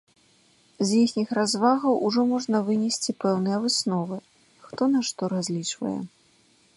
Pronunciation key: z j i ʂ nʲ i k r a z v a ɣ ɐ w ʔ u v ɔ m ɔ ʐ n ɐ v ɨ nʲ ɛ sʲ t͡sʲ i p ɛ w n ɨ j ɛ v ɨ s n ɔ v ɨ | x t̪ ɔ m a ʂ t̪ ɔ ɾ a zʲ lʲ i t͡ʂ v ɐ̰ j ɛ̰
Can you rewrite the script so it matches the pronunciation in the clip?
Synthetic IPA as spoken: z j i x nʲ i x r a z v a ɣ ɐ w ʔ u ʐ ɔ m ɔ ʐ n ɐ v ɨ nʲ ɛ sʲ t͡sʲ i p ɛ w n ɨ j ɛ v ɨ s n ɔ v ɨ | x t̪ ɔ n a ʂ t̪ ɔ ɾ a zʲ lʲ i t͡ʂ v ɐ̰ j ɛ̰